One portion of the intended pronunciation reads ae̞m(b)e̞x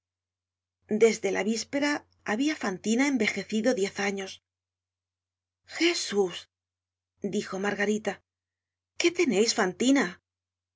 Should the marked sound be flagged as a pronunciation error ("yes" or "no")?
no